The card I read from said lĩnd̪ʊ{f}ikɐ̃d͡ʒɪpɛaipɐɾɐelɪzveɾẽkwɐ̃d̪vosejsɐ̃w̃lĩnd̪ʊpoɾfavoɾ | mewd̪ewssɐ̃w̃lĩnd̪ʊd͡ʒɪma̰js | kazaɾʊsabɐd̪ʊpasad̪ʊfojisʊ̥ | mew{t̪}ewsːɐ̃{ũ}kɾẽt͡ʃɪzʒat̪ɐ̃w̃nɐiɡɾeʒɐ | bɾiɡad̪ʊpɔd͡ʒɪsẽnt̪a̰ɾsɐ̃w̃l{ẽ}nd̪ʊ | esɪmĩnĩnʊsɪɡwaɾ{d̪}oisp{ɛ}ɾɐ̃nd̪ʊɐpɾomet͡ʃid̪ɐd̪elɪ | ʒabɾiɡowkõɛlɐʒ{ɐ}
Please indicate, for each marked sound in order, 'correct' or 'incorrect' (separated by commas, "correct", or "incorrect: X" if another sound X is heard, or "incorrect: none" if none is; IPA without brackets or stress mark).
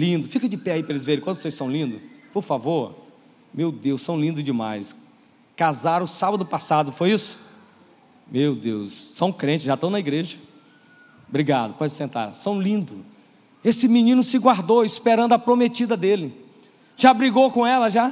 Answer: correct, incorrect: d̪, incorrect: w̃, incorrect: ĩ, correct, incorrect: e, incorrect: a